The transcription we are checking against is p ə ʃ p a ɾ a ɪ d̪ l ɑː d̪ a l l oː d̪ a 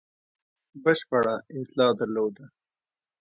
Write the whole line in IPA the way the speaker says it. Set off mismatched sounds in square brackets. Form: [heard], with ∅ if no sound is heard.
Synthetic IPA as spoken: [b] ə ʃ p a [ɽ] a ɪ [t̪] l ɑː d̪ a [ɾ] l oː d̪ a